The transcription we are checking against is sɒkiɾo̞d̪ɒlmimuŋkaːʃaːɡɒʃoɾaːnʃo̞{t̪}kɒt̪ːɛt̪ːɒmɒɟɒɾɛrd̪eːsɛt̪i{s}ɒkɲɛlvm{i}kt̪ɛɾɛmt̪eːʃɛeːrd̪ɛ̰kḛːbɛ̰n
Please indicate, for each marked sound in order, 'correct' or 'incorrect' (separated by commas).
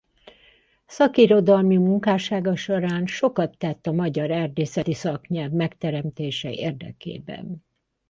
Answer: incorrect, correct, incorrect